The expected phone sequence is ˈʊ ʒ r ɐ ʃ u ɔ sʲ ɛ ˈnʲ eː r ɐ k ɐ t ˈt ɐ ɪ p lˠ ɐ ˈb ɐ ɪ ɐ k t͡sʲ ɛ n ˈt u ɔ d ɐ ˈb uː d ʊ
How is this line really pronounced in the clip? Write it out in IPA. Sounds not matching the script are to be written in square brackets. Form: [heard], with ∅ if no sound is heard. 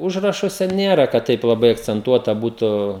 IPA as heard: ˈʊ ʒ r ɐ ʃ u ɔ sʲ ɛ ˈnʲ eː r ɐ k ɐ t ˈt ɐ ɪ p lˠ ɐ ˈb ɐ ɪ ɐ k t͡sʲ ɛ n ˈt u ɔ [t] ɐ ˈb uː [t] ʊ